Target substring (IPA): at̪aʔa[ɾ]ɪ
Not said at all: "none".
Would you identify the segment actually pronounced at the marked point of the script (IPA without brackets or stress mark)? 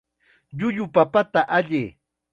ʎ